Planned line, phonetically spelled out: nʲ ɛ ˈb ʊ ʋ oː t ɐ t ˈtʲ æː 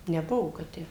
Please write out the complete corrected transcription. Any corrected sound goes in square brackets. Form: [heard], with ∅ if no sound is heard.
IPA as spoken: nʲ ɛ ˈb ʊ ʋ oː [k] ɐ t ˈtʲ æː